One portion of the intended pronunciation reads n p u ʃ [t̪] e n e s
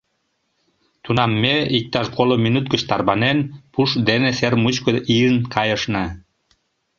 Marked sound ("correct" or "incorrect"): incorrect